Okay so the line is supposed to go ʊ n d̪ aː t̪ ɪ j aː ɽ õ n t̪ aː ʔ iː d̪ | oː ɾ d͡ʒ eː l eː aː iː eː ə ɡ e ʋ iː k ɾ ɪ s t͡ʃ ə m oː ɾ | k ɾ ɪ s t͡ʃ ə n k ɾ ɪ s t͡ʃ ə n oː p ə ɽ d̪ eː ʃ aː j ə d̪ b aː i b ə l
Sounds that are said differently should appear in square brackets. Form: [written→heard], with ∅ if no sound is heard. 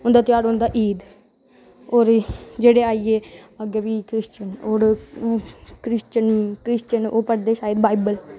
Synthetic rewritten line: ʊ n d̪ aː t̪ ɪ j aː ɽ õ n [t̪→d̪] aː ʔ iː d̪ | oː ɾ d͡ʒ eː [l→ɽ] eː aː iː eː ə ɡ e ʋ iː k ɾ ɪ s t͡ʃ ə [m→n] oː ɾ | k ɾ ɪ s t͡ʃ ə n k ɾ ɪ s t͡ʃ ə n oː p ə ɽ d̪ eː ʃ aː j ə d̪ b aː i b ə l